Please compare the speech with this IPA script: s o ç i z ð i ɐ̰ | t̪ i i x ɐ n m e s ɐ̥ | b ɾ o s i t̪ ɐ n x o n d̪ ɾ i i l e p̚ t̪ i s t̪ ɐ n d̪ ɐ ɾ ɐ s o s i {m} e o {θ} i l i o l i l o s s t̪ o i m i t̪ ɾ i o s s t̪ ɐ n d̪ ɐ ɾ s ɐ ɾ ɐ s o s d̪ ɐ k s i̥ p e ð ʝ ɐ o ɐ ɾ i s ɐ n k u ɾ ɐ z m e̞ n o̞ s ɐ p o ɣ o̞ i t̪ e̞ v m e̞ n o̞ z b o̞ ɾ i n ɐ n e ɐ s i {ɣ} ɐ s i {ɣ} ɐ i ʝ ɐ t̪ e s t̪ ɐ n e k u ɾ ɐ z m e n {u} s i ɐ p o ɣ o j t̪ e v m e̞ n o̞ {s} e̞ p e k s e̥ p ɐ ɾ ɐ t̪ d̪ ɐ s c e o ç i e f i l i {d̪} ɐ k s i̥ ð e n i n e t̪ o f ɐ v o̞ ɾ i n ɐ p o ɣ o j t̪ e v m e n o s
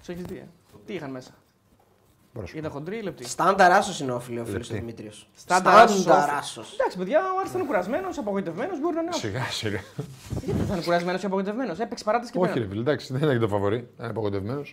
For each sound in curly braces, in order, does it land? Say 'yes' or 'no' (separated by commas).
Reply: no, no, yes, yes, no, yes, yes